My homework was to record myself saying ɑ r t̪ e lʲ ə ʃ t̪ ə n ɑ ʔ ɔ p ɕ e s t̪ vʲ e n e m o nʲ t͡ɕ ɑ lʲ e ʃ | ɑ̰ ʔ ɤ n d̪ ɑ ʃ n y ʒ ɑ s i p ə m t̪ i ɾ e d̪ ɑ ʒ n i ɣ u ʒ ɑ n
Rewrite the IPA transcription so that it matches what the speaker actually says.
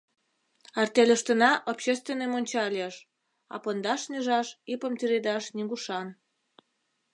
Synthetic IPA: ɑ r t̪ e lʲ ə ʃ t̪ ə n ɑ ʔ o p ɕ e s t̪ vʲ e n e m o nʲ t͡ɕ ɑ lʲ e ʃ | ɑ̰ p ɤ n d̪ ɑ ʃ n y ʒ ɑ ʃ i p ə m t̪ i ɾ e d̪ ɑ ʃ n i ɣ u ʃ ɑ n

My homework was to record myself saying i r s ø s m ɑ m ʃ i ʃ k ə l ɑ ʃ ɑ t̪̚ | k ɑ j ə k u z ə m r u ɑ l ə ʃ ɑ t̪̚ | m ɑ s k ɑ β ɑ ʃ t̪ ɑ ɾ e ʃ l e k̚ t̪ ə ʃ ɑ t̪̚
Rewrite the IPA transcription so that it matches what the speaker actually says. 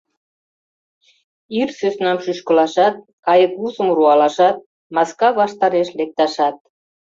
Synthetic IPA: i r s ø s n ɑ m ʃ y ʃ k ə l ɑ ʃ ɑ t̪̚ | k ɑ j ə k u z ə m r u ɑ l ɑ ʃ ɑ t̪̚ | m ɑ s k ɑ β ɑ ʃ t̪ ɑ ɾ e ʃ l e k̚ t̪ ɑ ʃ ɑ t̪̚

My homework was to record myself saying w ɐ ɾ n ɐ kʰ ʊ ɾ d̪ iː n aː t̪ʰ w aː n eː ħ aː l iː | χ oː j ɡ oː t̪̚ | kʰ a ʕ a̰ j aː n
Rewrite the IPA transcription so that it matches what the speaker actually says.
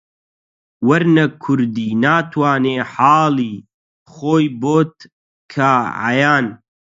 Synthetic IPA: w ɐ ɾ n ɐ kʰ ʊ ɾ d̪ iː n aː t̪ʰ w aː n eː ħ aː l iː | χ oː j b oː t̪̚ | kʰ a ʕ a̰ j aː n

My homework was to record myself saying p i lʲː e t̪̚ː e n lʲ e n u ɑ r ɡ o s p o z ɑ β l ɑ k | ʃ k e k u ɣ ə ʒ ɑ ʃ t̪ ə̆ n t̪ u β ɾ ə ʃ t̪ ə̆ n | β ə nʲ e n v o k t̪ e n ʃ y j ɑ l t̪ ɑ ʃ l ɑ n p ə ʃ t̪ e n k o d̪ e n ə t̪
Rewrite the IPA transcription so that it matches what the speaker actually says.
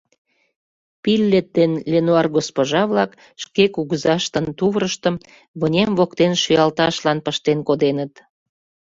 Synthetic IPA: p i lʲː e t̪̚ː e n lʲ e n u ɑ r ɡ o s p o ʒ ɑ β l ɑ k | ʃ k e k u ɣ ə z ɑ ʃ t̪ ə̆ n t̪ u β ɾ ə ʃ t̪ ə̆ m | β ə nʲ e m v o k t̪ e n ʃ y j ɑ l t̪ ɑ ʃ l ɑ n p ə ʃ t̪ e n k o d̪ e n ə t̪

